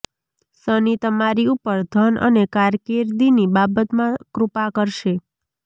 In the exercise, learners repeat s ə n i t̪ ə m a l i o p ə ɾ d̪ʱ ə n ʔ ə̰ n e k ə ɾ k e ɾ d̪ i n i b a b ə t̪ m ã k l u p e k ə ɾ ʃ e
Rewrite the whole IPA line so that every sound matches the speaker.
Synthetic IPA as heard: s ə n i t̪ ə m a ɾ i u p ə ɾ d̪ʱ ə n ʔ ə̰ n e k a ɾ k e ɾ d̪ i n i b a b ə t̪ m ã k ɾ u p a k ə ɾ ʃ e

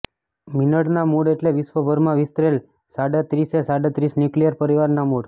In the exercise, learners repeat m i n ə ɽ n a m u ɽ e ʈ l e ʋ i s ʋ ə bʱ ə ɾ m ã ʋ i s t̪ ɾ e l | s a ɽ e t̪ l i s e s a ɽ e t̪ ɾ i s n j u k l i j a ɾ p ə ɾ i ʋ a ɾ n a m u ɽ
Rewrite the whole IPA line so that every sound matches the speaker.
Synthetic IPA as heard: m i n ə ɽ n a m u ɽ e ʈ l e ʋ i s ʋ ə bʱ ə ɾ m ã ʋ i s t̪ ɾ e l | s a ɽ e t̪ ɾ i s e s a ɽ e t̪ ɾ i s n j u k l i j ə ɾ p ə ɾ i ʋ a ɾ n a m u ɽ

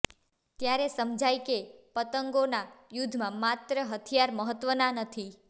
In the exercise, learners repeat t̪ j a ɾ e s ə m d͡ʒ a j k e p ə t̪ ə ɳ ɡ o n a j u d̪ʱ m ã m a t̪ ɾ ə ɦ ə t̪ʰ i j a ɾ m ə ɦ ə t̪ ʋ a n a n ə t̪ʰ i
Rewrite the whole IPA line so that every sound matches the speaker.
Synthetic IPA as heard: t̪ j a ɾ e s ə m d͡ʒ a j k e p ə t̪ ə ŋ ɡ o n a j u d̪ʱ m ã m a t̪ ɾ ə ɦ ə t̪ʰ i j a ɾ m ə ɦ ə t̪ ʋ ə n a n ə t̪ʰ i

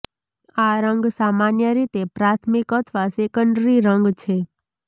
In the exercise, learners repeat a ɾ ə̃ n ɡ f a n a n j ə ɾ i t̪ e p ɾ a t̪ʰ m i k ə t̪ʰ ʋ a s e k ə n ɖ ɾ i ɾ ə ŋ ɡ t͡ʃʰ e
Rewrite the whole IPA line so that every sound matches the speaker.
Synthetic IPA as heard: a ɾ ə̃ ŋ ɡ s a m a n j ə ɾ i t̪ e p ɾ a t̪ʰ m i k ə t̪ʰ ʋ a s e k ə ɳ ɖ ɾ i ɾ ə ŋ ɡ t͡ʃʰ e

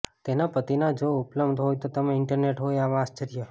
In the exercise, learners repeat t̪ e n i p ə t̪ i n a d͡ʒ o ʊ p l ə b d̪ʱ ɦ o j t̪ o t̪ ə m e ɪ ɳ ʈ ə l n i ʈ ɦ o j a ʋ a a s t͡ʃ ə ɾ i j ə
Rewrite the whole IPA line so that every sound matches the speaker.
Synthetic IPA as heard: t̪ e n a p ə t̪ i n a d͡ʒ o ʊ p l ə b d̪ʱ ɦ o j t̪ o t̪ ə m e ɪ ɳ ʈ ə ɾ n e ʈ ɦ o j a ʋ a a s t͡ʃ ə ɾ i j ə

